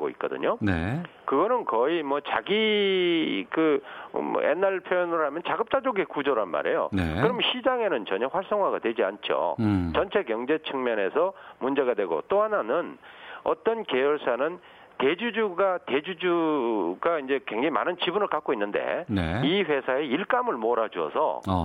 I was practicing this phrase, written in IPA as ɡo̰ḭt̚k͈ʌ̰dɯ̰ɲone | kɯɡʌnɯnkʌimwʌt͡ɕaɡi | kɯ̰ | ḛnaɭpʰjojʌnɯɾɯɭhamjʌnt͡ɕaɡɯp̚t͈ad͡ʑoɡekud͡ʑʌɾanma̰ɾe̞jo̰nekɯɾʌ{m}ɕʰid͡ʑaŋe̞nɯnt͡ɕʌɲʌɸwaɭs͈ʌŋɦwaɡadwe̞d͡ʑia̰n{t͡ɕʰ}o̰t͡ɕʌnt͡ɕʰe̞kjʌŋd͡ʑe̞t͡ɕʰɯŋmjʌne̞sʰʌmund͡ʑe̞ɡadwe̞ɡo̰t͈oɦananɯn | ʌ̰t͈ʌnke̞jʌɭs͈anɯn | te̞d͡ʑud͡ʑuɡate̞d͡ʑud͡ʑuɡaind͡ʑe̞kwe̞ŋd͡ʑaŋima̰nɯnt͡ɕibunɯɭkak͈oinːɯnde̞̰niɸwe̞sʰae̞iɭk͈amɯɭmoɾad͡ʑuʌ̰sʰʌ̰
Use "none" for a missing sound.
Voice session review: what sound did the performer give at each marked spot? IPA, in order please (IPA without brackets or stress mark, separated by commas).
m, t͡ɕʰ